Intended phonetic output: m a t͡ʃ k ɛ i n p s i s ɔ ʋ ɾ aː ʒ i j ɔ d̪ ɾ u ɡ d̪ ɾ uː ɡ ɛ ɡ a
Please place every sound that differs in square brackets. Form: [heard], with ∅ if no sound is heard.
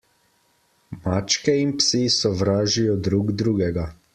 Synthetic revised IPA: m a t͡ʃ k ɛ i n p s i s ɔ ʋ ɾ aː ʒ i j ɔ d̪ ɾ u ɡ d̪ ɾ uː ɡ ɛ ɡ a